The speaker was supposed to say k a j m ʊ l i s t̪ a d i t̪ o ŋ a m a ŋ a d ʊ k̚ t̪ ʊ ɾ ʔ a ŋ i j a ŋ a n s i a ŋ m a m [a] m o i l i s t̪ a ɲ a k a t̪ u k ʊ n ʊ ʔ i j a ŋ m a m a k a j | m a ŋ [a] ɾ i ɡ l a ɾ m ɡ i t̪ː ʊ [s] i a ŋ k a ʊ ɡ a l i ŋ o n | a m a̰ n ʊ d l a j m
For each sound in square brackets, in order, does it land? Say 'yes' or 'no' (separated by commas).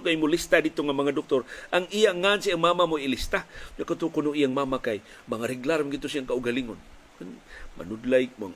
yes, yes, yes